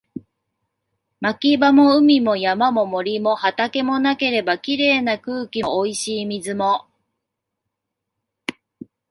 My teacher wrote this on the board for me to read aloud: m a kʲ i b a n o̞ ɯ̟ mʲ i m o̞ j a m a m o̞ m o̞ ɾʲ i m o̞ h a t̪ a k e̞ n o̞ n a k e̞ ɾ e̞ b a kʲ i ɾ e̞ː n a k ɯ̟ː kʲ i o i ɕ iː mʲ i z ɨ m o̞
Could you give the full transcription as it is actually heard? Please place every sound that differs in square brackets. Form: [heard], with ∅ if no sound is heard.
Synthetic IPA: m a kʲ i b a [m] o̞ ɯ̟ mʲ i m o̞ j a m a m o̞ m o̞ ɾʲ i m o̞ h a t̪ a k e̞ [m] o̞ n a k e̞ ɾ e̞ b a kʲ i ɾ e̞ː n a k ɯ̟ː kʲ i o i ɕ iː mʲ i z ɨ m o̞